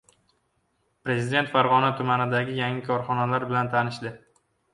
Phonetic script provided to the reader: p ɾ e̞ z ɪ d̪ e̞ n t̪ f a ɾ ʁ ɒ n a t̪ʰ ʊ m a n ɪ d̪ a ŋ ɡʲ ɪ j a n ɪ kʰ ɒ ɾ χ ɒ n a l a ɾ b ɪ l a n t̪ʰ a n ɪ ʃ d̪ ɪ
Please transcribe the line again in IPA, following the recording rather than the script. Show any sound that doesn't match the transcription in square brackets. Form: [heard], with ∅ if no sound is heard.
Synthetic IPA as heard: p ɾ e̞ z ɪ d̪ e̞ n t̪ f a ɾ ʁ ɒ n a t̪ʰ ʊ m a n ɪ d̪ a [∅] ɡʲ ɪ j a [ŋ] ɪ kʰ ɒ ɾ χ ɒ n a l a ɾ b ɪ l a n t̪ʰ a n ɪ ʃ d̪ ɪ